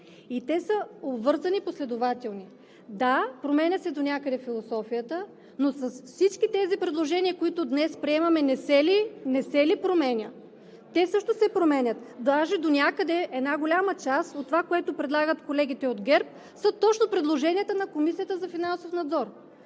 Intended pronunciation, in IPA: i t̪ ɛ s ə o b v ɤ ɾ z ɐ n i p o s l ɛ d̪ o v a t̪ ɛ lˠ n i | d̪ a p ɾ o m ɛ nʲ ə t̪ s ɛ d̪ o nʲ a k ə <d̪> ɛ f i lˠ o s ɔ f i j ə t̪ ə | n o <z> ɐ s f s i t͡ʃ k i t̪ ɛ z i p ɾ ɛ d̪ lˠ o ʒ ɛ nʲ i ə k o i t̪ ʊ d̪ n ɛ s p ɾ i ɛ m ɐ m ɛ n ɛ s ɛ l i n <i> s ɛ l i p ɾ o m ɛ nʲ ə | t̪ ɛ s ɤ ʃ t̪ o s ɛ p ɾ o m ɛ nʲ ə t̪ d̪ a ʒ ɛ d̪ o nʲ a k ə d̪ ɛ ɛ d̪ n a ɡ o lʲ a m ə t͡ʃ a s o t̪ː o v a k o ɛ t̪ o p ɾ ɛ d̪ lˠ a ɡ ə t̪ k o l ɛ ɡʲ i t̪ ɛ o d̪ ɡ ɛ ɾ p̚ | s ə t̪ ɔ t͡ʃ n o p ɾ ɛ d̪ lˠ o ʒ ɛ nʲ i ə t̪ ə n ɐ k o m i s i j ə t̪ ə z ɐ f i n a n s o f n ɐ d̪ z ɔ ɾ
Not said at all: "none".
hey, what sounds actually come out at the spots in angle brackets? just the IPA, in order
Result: d̪, s, ɛ

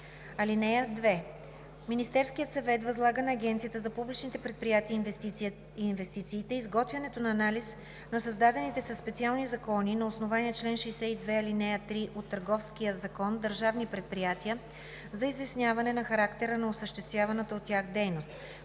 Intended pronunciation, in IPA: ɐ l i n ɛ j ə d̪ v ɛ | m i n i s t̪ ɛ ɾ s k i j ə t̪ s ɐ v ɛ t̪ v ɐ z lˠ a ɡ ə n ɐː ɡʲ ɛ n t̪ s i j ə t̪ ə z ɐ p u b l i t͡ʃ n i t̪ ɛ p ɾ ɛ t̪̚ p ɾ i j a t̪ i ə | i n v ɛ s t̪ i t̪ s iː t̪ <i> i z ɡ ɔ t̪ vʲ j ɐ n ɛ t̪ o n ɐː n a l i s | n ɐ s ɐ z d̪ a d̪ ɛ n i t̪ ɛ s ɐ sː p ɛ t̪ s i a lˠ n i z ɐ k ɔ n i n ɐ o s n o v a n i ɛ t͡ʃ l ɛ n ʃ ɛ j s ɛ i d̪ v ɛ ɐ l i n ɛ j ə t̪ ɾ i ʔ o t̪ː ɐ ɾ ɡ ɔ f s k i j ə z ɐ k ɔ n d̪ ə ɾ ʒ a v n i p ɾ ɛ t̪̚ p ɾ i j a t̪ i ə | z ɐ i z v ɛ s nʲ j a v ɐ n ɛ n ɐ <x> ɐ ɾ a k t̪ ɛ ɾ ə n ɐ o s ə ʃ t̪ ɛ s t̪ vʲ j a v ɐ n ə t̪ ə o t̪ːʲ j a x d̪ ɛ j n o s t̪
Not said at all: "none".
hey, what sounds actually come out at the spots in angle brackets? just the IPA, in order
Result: ɛ, x

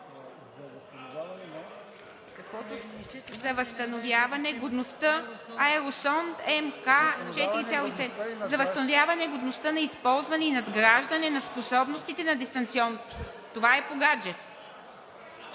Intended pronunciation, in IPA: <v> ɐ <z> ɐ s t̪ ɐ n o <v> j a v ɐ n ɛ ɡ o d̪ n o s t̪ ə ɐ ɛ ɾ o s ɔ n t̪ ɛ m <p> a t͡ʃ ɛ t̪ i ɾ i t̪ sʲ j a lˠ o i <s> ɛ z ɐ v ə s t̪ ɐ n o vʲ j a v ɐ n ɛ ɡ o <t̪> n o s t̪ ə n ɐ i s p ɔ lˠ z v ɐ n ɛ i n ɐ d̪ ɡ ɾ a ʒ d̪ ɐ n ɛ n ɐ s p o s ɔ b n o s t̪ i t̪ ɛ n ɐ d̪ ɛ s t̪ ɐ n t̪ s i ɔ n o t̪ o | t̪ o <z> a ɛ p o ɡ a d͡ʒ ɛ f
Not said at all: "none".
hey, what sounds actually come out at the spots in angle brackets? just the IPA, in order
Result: z, v, v, k, s, d̪, v

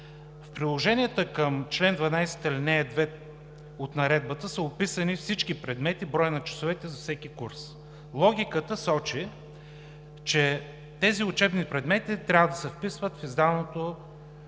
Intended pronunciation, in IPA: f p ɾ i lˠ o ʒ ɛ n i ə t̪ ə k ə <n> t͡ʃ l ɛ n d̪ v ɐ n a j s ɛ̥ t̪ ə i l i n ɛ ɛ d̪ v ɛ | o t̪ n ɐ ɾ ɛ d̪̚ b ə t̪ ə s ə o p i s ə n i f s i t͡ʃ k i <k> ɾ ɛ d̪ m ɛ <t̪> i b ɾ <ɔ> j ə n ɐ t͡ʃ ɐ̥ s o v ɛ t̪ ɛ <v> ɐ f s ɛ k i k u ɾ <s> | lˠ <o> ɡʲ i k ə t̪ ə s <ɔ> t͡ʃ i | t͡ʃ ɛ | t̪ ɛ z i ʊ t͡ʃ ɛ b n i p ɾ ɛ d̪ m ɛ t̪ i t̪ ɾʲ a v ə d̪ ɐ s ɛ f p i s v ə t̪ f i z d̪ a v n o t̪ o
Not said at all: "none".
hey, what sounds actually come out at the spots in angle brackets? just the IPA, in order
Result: m, p, t̪, ɔ, z, s, ɔ, ɔ

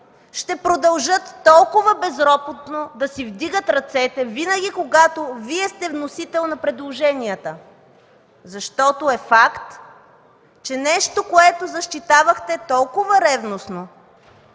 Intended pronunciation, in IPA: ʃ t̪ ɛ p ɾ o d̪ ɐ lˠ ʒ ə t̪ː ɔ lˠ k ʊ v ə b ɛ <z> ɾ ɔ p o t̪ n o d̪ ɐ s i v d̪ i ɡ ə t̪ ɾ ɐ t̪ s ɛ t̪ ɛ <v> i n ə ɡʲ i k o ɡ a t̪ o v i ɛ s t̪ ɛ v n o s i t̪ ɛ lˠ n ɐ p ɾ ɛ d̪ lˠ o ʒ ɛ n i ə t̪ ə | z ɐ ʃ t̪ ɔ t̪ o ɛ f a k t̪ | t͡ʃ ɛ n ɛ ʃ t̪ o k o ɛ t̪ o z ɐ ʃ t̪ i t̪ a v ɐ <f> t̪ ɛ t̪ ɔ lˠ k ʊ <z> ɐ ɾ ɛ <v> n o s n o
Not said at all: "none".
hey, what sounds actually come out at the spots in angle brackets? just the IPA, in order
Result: z, v, x, v, v

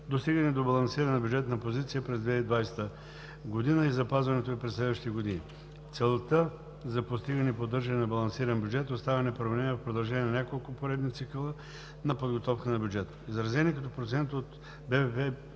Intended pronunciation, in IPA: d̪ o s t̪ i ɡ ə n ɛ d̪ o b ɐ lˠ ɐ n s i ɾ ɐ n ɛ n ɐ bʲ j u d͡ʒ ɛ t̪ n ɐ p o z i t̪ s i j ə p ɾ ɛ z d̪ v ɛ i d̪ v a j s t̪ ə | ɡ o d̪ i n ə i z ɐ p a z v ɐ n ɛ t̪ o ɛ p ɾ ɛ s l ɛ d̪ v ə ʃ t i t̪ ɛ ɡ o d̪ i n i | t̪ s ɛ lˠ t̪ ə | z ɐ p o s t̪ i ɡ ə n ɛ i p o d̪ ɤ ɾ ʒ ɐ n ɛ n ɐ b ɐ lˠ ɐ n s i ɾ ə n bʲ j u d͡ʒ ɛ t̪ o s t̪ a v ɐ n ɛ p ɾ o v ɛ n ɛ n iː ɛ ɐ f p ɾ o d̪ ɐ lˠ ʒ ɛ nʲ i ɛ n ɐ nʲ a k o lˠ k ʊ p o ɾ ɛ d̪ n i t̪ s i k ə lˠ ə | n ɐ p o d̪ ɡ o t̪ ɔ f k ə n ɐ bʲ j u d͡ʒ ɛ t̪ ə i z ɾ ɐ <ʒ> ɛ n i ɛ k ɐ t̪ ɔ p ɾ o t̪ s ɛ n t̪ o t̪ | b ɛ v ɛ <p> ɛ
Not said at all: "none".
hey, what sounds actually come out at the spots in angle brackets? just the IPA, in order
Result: z, p

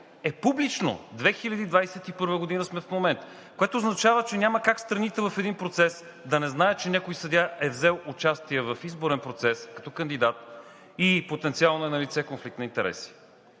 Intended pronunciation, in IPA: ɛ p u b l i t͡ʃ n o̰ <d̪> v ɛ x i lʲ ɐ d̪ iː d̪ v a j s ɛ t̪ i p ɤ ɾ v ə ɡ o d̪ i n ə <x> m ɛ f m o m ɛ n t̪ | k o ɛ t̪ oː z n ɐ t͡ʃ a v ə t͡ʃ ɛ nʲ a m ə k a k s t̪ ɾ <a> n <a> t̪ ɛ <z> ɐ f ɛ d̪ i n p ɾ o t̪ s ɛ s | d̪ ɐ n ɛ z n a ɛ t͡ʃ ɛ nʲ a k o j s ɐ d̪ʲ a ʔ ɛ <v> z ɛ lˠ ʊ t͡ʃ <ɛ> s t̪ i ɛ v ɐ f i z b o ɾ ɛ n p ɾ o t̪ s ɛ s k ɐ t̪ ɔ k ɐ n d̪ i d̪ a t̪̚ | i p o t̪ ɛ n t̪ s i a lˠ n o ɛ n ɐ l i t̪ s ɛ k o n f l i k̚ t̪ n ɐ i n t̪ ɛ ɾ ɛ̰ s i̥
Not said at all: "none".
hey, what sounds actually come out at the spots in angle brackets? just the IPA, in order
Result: d̪, s, ɐ, i, v, v, a

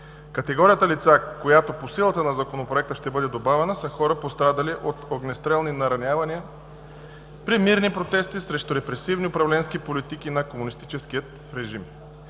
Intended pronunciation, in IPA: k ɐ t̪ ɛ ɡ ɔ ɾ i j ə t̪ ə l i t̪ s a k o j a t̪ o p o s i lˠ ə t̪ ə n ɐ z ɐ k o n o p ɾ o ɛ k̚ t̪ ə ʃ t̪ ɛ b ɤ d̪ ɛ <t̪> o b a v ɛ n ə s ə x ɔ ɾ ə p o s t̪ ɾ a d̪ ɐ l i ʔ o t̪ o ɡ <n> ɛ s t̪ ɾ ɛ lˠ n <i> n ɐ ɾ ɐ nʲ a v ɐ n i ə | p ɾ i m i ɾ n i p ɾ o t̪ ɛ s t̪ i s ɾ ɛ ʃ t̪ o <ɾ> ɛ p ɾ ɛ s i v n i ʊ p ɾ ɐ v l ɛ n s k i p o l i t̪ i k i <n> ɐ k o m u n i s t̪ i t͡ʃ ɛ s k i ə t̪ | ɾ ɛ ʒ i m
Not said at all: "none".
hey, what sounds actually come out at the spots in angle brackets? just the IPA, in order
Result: d̪, n, i, ɾ, n

